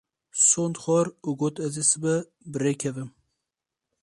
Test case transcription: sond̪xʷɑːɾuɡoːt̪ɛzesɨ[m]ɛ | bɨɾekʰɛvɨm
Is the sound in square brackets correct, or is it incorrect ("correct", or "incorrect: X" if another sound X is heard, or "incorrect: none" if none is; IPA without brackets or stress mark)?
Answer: incorrect: b